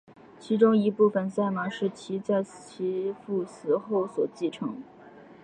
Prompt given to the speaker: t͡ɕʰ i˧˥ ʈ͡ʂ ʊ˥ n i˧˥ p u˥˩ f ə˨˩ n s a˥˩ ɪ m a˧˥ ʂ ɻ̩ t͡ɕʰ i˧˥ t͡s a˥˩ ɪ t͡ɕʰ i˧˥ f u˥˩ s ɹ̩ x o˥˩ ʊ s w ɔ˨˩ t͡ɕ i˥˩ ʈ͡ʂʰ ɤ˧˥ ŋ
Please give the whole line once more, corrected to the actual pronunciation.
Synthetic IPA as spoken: t͡ɕʰ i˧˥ ʈ͡ʂ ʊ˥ ŋ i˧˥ p u˥˩ f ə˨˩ n s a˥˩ ɪ m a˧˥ ʂ ɻ̩ t͡ɕʰ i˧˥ t͡s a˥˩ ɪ t͡ɕʰ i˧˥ f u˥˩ s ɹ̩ x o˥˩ ʊ s w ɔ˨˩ t͡ɕ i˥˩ ʈ͡ʂʰ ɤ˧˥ ŋ

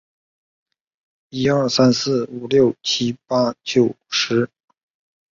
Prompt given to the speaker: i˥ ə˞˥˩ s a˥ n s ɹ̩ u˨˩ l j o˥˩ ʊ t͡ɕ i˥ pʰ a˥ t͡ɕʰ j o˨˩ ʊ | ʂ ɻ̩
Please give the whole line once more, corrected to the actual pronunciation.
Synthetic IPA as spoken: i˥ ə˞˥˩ s a˥ n s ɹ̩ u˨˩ l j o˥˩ ʊ t͡ɕʰ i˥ p a˥ t͡ɕ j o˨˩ ʊ | ʂ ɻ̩

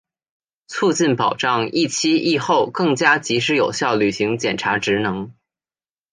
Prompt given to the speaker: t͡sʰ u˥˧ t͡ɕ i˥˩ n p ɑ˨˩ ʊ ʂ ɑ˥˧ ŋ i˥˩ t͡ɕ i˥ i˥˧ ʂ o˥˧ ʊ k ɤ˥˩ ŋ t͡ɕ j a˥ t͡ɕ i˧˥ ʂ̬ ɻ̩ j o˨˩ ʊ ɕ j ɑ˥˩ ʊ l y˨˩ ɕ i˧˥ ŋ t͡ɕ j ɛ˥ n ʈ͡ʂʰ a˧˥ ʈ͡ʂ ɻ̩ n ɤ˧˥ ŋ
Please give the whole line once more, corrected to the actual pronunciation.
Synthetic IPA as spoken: t͡sʰ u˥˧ t͡ɕ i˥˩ n p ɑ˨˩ ʊ ʈ͡ʂ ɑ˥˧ ŋ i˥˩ t͡ɕʰ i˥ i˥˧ x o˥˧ ʊ k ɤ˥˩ ŋ t͡ɕ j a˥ t͡ɕ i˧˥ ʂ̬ ɻ̩ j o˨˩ ʊ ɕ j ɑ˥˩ ʊ l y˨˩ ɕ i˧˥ ŋ t͡ɕ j ɛ˨˩ n ʈ͡ʂʰ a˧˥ ʈ͡ʂ ɻ̩ n ɤ˧˥ ŋ

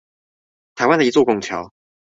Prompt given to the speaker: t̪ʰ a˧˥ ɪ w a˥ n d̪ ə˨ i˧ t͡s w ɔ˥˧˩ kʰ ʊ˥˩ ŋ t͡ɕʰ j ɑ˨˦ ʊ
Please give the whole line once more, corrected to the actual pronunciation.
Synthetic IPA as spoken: t̪ʰ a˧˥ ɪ w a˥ n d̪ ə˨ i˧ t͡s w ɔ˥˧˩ k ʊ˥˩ ŋ t͡ɕʰ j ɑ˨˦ ʊ

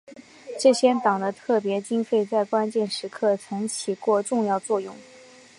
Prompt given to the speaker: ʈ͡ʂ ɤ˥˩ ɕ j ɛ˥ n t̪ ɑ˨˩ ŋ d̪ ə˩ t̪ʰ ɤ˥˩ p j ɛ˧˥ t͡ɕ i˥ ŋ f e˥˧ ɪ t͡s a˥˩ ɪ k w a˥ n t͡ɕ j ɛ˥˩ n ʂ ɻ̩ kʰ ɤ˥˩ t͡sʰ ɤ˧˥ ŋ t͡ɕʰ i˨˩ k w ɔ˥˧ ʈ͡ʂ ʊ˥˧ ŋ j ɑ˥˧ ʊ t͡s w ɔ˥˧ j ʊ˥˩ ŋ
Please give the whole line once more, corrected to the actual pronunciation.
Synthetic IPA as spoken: ʈ͡ʂ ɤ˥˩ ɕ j ɛ˥ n t̪ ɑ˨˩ ŋ d̪ ə˦ t̪ʰ ɤ˥˩ p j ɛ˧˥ t͡ɕ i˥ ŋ f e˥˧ ɪ t͡s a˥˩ ɪ k w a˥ n t͡ɕ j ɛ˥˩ n ʂ ɻ̩ kʰ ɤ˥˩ t͡sʰ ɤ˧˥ ŋ t͡ɕʰ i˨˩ k w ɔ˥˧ ʈ͡ʂ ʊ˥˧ ŋ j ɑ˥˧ ʊ t͡s w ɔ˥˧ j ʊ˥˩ ŋ

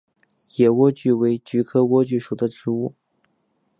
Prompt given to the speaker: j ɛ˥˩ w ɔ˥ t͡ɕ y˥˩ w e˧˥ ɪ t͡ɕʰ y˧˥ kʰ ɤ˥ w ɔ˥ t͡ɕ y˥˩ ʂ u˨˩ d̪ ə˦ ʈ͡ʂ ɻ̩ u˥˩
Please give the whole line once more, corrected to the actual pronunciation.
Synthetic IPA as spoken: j ɛ˨˩ w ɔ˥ t͡ɕ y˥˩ w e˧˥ ɪ t͡ɕ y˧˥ kʰ ɤ˥ w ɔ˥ t͡ɕ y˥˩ ʂ u˨˩ d̪ ə˦ ʈ͡ʂ ɻ̩ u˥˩

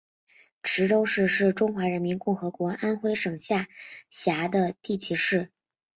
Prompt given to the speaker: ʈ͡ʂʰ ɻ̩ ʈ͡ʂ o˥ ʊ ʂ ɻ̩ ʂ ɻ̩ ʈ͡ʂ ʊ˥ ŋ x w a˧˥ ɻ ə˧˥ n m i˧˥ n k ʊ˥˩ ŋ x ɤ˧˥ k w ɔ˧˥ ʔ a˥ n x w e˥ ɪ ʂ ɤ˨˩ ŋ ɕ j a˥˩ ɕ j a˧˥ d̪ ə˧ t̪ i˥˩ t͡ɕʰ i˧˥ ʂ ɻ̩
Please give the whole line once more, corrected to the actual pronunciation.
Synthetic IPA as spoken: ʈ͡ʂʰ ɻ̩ ʈ͡ʂ o˥ ʊ ʂ ɻ̩ ʂ ɻ̩ ʈ͡ʂ ʊ˥ ŋ x w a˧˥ ɻ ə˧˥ n m i˧˥ n k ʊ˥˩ ŋ x ɤ˧˥ k w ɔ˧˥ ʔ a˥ n x w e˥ ɪ ʂ ɤ˨˩ ŋ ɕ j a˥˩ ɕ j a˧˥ d̪ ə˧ t̪ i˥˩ t͡ɕʰ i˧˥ ʂ ɻ̩

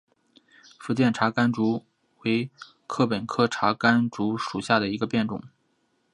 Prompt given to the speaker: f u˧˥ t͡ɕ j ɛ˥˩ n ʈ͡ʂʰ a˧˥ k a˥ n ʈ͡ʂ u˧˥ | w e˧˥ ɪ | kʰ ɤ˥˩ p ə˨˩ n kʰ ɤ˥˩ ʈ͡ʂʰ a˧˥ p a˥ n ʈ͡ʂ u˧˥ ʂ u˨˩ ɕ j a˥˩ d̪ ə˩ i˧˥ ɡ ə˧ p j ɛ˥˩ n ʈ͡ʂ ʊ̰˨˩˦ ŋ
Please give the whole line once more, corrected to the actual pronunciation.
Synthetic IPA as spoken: f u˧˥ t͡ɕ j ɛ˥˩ n ʈ͡ʂʰ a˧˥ k a˥ n ʈ͡ʂ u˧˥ | w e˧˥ ɪ | kʰ ɤ˥˩ p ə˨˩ n kʰ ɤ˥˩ ʈ͡ʂʰ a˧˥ k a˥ n ʈ͡ʂ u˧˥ ʂ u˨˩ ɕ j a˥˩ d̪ ə˩ i˧˥ ɡ ə˧ p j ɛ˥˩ n ʈ͡ʂ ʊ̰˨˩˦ ŋ

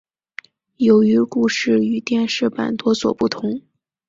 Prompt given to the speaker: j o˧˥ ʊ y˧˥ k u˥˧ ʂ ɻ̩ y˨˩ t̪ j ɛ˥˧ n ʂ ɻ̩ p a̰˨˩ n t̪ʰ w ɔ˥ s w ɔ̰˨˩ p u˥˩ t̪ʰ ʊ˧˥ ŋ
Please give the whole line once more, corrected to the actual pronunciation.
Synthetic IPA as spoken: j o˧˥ ʊ y˧˥ k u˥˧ ʂ ɻ̩ y˨˩ t̪ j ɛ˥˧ n ʂ ɻ̩ p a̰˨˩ n t̪ w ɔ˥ s w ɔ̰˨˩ p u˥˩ t̪ʰ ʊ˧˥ ŋ

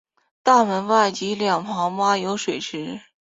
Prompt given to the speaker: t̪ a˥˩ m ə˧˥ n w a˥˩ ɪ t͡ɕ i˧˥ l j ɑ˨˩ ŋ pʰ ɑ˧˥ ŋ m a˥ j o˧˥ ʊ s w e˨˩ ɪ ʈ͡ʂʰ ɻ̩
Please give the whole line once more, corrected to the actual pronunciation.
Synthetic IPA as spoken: t̪ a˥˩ m ə˧˥ n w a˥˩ ɪ t͡ɕ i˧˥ l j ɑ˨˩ ŋ pʰ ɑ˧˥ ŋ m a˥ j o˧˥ ʊ ʂ w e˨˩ ɪ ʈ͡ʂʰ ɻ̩

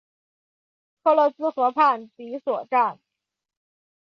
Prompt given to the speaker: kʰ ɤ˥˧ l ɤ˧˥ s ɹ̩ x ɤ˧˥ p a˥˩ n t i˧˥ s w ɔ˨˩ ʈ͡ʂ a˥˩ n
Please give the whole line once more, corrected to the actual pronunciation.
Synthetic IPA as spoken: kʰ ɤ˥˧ l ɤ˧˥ s ɹ̩ x ɤ˧˥ pʰ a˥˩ n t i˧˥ s w ɔ˨˩ ʈ͡ʂ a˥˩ n

